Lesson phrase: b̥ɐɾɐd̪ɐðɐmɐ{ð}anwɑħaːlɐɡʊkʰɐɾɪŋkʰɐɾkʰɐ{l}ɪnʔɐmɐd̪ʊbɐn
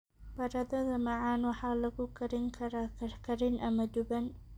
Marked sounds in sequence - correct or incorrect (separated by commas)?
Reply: incorrect, incorrect